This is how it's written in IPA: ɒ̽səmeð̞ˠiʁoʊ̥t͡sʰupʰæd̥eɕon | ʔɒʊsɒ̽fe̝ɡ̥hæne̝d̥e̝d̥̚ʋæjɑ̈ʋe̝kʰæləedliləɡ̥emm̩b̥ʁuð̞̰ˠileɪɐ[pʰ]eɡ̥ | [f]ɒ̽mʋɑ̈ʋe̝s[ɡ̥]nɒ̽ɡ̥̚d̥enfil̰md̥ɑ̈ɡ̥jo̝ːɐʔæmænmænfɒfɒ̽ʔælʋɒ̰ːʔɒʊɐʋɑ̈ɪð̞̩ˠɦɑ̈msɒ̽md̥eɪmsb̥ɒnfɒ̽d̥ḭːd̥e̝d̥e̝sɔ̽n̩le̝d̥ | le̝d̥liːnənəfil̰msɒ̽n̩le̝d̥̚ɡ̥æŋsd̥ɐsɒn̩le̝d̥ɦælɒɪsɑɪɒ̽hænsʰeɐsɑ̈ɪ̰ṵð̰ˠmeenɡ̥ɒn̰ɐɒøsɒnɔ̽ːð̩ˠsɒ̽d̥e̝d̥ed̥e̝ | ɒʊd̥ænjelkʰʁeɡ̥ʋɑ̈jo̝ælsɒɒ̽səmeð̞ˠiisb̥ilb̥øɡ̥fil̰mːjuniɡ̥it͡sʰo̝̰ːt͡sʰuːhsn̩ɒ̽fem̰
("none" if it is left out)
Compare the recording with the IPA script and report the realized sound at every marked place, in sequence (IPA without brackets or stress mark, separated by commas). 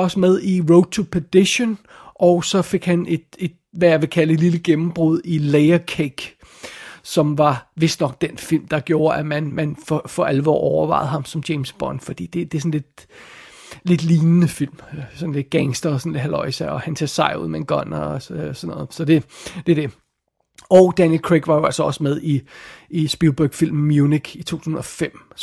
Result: kʰ, s, d̥